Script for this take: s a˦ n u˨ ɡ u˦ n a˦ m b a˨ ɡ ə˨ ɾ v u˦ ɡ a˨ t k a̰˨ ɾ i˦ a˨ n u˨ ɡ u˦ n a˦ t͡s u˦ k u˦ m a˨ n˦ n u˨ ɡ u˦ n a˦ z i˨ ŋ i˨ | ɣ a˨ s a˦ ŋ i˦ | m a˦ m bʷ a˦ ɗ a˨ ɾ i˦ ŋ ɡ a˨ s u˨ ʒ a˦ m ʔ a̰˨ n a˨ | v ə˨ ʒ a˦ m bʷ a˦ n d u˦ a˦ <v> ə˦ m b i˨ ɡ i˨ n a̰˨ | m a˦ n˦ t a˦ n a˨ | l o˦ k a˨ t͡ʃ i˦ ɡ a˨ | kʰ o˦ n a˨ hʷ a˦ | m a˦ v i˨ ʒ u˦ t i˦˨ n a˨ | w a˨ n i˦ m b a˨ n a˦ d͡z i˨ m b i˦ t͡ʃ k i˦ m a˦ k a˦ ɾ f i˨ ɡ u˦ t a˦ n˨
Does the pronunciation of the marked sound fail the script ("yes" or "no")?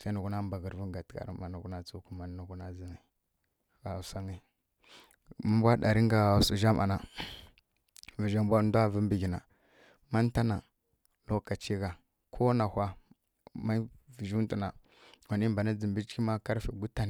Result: no